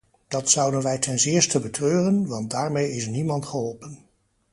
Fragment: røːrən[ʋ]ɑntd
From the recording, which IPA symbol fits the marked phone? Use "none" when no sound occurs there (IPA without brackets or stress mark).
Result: ʋ